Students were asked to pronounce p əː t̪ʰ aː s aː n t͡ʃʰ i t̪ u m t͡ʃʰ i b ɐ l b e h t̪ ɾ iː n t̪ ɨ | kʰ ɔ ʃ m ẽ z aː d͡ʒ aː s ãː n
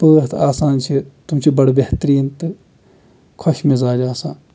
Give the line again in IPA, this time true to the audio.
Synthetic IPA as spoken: p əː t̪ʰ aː s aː n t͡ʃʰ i t̪ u m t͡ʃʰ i b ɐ ɽ b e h t̪ ɾ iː n t̪ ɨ | kʰ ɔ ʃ m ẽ z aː d͡ʒ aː s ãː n